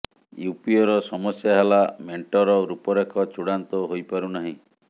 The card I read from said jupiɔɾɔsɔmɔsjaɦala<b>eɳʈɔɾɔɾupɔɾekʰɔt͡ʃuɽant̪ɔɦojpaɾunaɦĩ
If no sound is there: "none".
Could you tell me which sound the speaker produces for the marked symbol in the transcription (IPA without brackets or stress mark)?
m